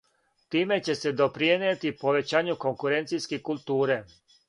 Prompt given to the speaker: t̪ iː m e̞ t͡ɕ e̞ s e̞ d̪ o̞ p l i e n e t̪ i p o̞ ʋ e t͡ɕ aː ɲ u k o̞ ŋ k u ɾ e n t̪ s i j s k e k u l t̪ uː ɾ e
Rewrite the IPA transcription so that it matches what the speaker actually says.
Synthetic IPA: t̪ iː m e̞ t͡ɕ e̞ s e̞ d̪ o̞ p ɾ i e n e t̪ i p o̞ ʋ e t͡ɕ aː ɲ u k o̞ ŋ k u ɾ e n t̪ s i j s k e k u l t̪ uː ɾ e